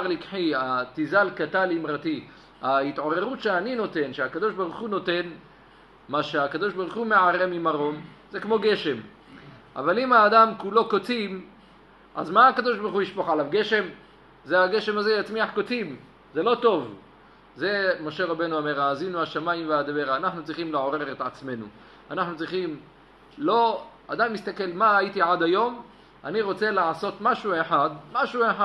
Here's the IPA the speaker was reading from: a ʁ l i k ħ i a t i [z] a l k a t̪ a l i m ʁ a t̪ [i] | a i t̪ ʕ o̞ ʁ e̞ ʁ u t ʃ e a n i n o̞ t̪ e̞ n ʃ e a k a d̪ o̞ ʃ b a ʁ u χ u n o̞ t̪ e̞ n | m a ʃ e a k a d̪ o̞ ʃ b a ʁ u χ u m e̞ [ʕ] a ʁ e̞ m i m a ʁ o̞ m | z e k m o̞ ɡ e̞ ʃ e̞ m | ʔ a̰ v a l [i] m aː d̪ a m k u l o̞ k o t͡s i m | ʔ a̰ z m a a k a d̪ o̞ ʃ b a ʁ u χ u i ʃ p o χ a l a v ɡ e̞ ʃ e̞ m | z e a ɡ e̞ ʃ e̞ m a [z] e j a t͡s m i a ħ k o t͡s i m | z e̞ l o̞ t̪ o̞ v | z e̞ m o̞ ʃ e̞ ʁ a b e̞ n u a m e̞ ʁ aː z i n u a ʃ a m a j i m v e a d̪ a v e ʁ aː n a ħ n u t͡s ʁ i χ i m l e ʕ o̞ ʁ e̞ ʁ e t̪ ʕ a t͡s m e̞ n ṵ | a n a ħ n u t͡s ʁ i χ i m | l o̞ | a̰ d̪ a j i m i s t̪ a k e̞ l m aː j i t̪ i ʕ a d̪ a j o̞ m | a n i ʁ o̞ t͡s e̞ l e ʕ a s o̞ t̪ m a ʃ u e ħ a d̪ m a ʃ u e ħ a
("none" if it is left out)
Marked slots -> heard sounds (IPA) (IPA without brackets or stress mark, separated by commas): z, i, ʕ, i, z